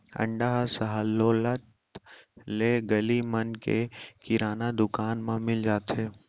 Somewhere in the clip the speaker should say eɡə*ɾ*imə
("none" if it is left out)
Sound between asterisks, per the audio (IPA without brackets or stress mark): l